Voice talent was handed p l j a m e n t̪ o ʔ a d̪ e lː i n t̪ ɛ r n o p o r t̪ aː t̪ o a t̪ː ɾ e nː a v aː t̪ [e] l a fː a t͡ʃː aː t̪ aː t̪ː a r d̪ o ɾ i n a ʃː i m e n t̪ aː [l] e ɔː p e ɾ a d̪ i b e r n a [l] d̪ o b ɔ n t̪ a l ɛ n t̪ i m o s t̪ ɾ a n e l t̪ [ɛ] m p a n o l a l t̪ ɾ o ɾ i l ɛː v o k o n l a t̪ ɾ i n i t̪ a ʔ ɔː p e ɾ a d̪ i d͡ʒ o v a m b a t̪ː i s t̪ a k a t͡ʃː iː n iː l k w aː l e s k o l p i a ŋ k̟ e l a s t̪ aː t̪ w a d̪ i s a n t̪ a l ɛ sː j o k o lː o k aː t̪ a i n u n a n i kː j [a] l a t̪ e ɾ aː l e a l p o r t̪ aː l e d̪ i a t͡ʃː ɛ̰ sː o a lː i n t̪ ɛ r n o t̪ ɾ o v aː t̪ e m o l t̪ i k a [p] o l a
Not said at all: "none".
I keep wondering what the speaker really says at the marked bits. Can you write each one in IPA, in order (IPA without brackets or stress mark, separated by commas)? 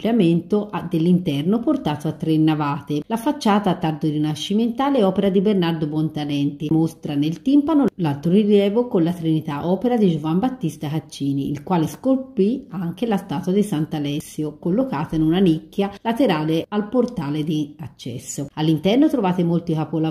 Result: e, l, r, i, a, p